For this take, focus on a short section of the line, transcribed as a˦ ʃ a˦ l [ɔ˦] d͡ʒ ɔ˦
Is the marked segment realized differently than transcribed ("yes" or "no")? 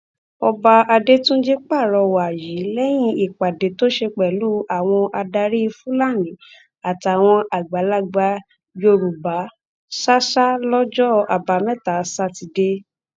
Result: no